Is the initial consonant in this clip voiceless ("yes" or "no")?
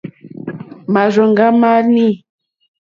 no